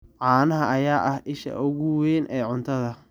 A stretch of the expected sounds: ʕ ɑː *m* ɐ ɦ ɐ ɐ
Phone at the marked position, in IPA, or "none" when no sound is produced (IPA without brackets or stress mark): n